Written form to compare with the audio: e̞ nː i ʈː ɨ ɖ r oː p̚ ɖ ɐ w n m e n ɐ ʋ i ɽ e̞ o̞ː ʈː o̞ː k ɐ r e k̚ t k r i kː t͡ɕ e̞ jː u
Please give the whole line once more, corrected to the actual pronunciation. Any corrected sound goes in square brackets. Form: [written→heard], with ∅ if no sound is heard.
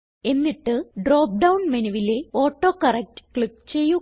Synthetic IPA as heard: e̞ nː i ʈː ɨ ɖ r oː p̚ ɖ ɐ w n m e n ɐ ʋ i [ɽ→l] e̞ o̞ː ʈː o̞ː k ɐ r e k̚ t k [r→ɭ] i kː t͡ɕ e̞ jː u